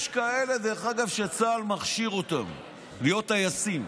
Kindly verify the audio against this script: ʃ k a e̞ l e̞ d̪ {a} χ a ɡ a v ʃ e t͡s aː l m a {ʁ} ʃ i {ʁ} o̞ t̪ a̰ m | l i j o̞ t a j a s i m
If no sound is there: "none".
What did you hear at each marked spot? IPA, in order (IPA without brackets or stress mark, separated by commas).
e, χ, ʁ